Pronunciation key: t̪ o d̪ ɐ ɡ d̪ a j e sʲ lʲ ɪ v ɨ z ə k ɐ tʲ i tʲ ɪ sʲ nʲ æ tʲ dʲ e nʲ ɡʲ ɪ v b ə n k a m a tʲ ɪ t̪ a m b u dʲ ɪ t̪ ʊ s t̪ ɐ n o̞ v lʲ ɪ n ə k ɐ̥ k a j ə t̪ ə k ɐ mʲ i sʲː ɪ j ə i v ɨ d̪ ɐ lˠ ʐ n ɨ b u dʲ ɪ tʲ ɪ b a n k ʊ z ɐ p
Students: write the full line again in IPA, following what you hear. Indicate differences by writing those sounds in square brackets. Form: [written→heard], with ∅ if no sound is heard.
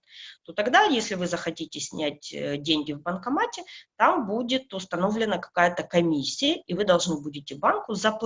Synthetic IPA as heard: t̪ o [d̪→t̪] ɐ ɡ d̪ a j e sʲ lʲ ɪ v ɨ z ə [k→x] ɐ tʲ i tʲ ɪ sʲ nʲ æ tʲ dʲ e nʲ ɡʲ ɪ v b ə n k [a→ɐ] m a tʲ ɪ t̪ a m b u dʲ ɪ t̪ ʊ s t̪ ɐ n o̞ v lʲ ɪ n ə k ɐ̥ k a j ə t̪ ə k ɐ mʲ i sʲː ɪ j ə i v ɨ d̪ ɐ lˠ ʐ n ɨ b u dʲ ɪ tʲ ɪ b a n k ʊ z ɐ p